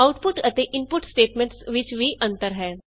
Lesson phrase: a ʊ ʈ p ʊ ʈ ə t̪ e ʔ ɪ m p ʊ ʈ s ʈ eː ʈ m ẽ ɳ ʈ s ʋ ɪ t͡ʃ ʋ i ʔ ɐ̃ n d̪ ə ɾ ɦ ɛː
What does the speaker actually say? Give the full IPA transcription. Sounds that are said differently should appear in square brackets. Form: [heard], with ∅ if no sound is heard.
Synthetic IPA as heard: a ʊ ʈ p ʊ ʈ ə t̪ e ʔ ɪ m p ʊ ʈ s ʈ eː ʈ m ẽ ɳ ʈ s ʋ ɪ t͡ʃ ʋ i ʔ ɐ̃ n [t̪] ə ɾ ɦ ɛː